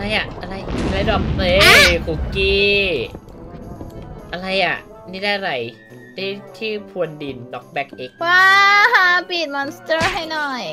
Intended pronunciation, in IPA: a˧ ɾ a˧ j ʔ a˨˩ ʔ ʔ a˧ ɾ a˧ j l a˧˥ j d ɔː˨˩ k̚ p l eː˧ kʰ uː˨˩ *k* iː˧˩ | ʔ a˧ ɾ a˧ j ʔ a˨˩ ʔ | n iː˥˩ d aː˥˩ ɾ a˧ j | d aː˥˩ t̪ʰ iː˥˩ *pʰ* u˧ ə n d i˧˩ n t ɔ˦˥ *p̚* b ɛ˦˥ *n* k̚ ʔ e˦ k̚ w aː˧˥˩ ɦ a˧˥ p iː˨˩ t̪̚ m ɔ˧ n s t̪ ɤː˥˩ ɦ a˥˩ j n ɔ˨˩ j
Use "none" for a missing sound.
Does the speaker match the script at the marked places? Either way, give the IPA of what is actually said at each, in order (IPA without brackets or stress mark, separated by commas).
k, pʰ, k̚, none